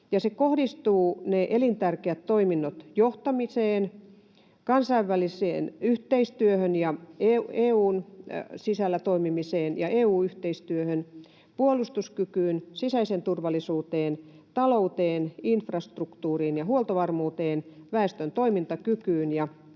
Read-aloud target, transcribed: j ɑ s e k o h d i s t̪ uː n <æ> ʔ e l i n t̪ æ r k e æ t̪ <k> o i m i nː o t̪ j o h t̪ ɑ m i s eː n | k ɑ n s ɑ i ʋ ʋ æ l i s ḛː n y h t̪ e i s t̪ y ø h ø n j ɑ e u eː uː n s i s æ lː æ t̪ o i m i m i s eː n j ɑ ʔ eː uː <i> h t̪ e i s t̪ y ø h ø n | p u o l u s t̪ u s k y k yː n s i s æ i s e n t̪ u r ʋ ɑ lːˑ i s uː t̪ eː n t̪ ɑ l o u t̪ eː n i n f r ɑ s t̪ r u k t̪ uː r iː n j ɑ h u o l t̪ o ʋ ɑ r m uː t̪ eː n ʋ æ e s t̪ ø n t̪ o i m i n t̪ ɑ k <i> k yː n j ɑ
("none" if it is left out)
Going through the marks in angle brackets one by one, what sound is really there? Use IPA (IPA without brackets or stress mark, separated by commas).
e, t, y, y